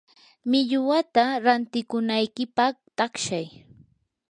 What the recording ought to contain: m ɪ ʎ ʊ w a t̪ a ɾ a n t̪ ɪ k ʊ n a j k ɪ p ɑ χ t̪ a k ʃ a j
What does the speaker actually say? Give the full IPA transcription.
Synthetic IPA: m ɪ ʎ ʊ w a t̪ a ɾ a n t̪ ɪ k ʊ n a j k ɪ p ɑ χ t̪ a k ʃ a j